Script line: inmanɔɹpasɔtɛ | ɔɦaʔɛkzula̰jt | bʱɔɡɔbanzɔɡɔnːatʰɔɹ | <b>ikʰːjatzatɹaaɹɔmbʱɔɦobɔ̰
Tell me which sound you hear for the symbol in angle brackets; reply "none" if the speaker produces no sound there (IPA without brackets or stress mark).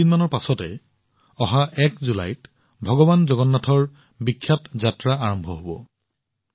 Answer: b